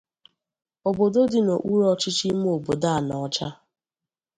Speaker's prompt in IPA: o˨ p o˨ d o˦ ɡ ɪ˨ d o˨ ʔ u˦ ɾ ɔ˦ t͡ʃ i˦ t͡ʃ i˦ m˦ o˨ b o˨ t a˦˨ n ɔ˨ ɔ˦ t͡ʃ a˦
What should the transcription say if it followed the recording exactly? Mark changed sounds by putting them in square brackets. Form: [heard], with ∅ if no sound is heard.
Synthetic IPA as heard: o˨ [b] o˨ d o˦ [d] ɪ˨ [n] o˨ ʔ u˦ ɾ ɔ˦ t͡ʃ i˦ t͡ʃ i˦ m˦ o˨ b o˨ [d] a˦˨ n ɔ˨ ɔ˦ t͡ʃ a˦